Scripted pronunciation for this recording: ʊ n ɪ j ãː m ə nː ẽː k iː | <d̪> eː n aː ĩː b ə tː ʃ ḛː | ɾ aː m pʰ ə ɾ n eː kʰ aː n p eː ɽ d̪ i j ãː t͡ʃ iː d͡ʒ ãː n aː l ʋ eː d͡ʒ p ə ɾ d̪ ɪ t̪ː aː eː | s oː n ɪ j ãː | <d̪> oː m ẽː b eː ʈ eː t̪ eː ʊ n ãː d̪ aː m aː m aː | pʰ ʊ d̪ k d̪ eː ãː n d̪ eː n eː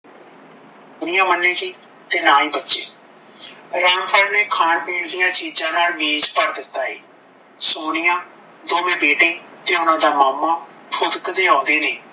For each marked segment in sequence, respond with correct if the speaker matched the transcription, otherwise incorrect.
incorrect: t̪, correct

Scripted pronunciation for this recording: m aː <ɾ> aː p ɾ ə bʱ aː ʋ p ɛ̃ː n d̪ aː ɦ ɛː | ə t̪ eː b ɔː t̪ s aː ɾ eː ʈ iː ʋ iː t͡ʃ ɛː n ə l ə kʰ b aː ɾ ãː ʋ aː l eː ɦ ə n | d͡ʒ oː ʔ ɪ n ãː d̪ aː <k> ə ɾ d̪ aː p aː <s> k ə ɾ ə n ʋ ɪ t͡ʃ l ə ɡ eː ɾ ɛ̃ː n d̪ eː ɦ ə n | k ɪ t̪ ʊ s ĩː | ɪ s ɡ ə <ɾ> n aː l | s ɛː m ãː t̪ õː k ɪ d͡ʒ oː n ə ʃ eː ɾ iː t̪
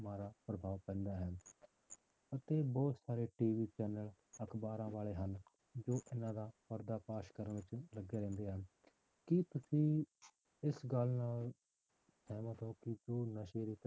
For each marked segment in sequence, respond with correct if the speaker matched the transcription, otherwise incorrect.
correct, incorrect: p, incorrect: ʃ, incorrect: l

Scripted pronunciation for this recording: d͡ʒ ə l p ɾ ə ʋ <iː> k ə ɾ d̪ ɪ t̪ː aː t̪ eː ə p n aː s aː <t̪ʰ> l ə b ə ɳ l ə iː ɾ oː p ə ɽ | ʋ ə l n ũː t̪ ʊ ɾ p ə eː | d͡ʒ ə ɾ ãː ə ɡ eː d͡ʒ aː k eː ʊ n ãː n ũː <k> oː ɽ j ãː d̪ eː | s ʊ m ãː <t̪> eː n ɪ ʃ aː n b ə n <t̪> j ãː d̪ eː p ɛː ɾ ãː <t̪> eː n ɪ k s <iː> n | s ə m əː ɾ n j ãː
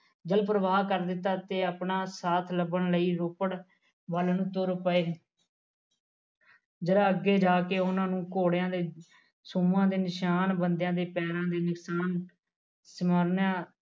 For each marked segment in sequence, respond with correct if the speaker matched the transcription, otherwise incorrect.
incorrect: aː, correct, correct, incorrect: d̪, incorrect: d̪, incorrect: d̪, incorrect: aː

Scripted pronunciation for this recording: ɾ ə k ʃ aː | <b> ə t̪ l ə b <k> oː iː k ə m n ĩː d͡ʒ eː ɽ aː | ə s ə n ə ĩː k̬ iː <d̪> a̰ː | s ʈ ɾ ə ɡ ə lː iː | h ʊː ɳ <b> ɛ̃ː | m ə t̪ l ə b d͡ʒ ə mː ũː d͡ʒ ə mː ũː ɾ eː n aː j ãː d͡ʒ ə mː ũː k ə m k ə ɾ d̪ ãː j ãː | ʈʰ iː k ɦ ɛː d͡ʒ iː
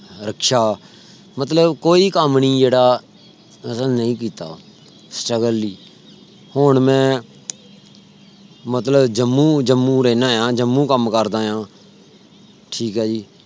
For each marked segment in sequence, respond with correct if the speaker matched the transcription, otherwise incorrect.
incorrect: m, correct, incorrect: t̪, incorrect: m

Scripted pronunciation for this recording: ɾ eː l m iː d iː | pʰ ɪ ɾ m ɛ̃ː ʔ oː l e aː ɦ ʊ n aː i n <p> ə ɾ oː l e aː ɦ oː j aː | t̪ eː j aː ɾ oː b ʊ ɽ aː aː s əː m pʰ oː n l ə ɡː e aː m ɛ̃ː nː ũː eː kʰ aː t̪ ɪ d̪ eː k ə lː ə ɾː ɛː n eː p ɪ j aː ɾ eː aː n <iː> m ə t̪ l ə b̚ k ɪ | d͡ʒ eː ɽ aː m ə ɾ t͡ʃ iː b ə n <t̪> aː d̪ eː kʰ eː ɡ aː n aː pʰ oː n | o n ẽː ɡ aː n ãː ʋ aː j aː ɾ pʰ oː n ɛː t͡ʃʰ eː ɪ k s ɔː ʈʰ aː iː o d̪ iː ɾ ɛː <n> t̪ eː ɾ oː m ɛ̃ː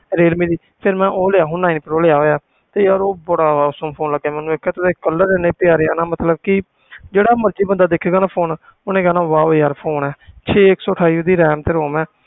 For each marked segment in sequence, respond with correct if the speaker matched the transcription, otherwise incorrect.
correct, incorrect: aː, incorrect: d̪, incorrect: m

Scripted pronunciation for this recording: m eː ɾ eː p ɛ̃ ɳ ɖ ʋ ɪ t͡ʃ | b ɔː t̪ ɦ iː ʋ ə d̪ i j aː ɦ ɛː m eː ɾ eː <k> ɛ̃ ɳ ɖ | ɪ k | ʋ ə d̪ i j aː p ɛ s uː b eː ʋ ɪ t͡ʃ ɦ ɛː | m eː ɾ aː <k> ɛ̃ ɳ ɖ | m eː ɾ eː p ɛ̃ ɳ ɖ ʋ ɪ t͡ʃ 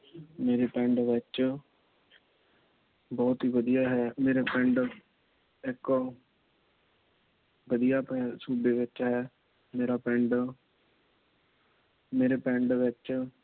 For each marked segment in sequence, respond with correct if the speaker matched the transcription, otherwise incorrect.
incorrect: p, incorrect: p

